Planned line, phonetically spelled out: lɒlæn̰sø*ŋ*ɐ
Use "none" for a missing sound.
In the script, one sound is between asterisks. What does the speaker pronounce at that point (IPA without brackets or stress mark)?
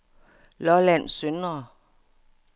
n